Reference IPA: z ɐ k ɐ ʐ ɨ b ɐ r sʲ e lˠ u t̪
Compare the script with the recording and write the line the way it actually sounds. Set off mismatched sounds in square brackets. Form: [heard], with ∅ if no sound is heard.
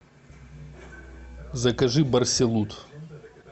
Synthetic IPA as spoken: z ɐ k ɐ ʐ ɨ b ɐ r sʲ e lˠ u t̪